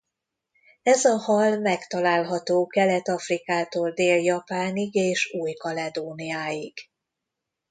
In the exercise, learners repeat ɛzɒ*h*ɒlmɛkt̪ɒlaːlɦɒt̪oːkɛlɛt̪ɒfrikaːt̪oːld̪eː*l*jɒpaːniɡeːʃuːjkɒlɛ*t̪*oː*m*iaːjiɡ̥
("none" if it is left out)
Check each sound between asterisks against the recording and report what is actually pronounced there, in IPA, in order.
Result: h, l, d̪, n

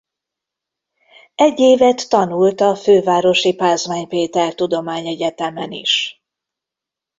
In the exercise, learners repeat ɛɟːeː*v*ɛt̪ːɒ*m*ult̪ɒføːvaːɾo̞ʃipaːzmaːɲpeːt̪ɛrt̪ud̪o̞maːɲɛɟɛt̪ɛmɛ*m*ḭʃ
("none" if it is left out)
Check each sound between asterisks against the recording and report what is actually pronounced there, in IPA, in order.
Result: v, n, n

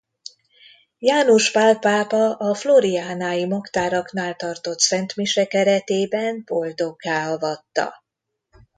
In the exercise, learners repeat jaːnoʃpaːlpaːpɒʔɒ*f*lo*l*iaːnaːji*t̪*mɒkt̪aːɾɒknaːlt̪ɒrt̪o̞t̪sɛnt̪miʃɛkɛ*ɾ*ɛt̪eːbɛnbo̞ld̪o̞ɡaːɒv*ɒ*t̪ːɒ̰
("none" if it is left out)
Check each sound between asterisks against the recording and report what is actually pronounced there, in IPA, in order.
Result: f, ɾ, none, ɾ, ɒ

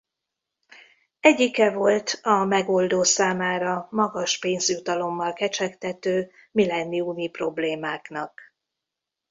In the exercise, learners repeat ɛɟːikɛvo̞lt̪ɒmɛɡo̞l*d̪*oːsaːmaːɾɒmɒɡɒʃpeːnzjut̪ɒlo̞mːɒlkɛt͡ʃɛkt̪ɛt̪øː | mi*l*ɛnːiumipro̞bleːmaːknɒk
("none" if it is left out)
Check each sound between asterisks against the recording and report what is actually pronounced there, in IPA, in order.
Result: d̪, l

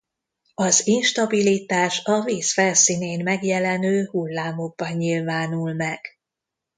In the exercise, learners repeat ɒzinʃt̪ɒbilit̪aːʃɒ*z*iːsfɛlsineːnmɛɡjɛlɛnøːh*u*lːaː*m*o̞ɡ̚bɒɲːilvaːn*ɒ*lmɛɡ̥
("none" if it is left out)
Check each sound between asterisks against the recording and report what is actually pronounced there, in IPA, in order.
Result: v, u, m, u

